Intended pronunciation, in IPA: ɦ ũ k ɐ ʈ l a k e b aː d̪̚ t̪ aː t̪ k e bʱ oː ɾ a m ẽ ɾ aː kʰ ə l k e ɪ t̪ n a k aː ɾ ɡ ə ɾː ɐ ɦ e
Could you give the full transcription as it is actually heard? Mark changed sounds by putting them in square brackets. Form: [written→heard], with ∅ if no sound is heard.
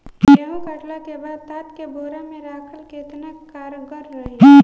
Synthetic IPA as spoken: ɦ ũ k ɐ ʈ l a k e b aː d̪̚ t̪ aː t̪ k e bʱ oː ɾ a m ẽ ɾ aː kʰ ə l k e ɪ t̪ n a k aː ɾ ɡ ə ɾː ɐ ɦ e